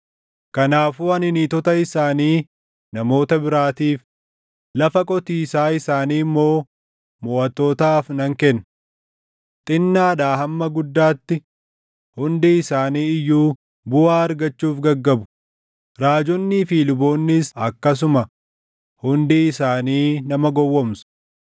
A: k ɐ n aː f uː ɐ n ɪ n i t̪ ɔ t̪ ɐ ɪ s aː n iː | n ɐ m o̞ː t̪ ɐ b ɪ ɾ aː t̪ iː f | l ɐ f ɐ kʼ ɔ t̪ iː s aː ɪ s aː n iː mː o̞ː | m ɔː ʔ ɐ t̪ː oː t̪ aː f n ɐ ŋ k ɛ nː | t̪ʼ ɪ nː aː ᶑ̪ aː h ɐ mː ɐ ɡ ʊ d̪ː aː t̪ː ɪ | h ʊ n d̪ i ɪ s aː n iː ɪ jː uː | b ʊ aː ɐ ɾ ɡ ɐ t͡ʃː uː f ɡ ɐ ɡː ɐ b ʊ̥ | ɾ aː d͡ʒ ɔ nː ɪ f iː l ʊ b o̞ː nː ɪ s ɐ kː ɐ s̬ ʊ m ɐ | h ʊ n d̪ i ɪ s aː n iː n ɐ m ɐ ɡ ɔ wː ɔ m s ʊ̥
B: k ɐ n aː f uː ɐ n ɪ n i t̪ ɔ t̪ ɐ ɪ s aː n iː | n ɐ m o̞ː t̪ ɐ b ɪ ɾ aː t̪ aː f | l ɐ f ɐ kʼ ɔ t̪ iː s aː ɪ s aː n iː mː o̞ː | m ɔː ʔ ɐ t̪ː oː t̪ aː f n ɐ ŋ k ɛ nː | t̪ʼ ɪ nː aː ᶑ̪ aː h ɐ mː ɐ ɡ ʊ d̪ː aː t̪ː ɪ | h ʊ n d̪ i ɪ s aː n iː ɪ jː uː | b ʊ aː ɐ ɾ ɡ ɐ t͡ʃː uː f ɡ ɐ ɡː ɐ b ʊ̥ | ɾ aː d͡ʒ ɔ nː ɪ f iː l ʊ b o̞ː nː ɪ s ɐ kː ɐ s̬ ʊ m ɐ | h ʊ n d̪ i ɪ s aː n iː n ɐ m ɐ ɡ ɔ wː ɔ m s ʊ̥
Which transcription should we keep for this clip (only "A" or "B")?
A